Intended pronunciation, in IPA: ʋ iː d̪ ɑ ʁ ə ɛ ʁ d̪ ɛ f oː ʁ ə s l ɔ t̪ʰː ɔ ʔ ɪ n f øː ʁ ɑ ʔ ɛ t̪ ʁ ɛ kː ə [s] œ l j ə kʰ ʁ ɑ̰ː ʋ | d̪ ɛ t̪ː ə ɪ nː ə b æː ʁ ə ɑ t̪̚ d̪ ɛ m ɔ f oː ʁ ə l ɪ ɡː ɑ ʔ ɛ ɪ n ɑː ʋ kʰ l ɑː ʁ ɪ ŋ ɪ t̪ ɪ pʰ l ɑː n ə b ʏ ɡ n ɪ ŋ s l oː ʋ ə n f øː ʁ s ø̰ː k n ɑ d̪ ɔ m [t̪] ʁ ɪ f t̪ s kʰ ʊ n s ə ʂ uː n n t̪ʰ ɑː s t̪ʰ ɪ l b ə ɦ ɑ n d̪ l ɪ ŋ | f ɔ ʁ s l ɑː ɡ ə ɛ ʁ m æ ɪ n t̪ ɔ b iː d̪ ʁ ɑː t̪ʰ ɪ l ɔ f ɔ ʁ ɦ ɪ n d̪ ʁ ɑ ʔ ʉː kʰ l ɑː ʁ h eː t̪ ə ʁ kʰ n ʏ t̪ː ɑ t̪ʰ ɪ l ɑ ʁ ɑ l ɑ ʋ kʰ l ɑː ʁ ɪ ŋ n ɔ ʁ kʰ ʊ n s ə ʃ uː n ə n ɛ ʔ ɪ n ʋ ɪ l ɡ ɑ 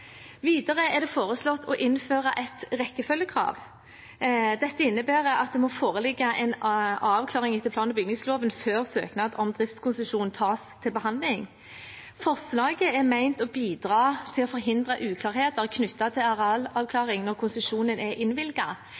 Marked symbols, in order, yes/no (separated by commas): no, no